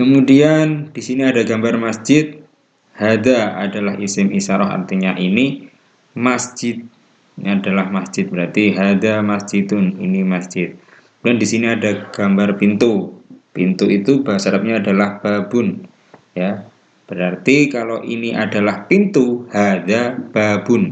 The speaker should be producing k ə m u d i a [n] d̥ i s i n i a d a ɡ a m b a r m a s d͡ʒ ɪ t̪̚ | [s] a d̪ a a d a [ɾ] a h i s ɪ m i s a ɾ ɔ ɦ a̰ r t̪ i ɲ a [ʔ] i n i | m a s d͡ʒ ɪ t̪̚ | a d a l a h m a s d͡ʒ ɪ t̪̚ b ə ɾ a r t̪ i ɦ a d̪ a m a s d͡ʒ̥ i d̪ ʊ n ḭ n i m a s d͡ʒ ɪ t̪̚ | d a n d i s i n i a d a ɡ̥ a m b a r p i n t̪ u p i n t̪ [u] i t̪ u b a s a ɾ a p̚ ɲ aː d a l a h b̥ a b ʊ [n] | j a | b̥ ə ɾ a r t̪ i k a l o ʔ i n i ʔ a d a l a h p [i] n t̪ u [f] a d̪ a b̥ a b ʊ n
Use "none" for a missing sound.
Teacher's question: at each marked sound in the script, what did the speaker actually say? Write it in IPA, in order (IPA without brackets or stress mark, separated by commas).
n, h, l, ʔ, u, n, i, h